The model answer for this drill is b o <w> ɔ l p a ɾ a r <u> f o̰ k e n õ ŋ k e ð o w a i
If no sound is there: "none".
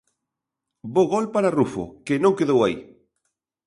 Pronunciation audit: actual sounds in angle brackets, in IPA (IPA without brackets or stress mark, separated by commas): ɣ, u